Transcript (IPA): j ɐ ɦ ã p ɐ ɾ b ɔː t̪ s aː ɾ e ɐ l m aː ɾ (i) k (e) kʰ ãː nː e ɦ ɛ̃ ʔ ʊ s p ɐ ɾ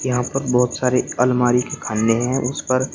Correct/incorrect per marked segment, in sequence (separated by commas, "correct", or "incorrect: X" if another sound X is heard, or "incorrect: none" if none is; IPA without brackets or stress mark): correct, correct